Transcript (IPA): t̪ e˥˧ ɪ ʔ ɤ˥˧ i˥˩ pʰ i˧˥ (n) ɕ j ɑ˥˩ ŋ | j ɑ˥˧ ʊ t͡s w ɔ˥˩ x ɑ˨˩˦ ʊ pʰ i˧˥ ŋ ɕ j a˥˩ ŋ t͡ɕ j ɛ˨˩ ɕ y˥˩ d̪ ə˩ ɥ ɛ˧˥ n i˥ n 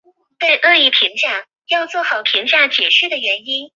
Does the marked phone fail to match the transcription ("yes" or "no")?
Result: yes